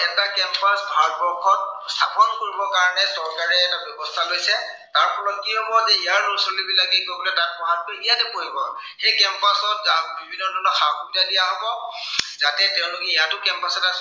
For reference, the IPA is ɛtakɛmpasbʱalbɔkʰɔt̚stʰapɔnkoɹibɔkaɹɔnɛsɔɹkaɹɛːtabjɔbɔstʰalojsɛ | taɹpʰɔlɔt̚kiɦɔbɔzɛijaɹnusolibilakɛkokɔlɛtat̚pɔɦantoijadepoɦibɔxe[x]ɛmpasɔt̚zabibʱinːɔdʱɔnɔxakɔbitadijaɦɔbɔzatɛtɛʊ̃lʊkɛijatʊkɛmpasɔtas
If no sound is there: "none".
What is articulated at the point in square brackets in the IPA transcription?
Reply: k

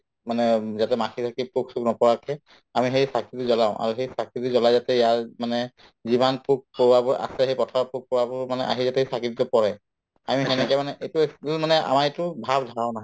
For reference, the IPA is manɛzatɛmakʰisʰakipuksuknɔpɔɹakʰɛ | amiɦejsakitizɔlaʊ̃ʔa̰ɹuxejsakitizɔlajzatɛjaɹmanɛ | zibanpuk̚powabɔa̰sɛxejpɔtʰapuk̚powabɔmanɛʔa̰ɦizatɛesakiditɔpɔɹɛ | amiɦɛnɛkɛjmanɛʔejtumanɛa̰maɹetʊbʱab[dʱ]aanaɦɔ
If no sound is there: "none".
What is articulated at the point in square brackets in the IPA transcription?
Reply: dʱ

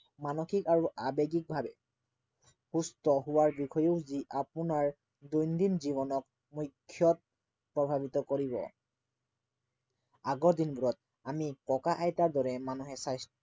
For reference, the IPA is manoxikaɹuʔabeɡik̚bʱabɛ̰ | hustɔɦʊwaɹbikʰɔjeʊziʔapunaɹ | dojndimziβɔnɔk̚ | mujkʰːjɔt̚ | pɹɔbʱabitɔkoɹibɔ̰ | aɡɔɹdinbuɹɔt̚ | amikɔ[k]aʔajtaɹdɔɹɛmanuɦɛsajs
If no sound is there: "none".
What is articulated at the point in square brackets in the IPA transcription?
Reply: k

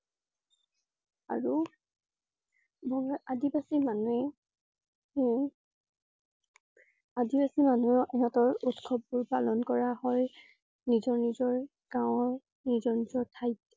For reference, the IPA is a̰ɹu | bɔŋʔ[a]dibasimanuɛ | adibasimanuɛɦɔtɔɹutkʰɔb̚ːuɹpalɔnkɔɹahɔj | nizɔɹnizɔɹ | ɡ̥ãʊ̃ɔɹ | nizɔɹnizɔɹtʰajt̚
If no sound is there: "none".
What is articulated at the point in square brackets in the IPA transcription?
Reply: a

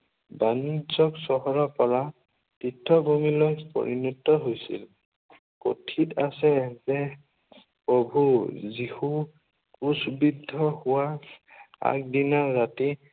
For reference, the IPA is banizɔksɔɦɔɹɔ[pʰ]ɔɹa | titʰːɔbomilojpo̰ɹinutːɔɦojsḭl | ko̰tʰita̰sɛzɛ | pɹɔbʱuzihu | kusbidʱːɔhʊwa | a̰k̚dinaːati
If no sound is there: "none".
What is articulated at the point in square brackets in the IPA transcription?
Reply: p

